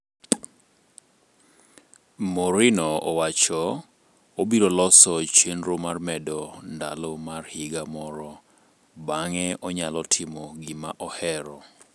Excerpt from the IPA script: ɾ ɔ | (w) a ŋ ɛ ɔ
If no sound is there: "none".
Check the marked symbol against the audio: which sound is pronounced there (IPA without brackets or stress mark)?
b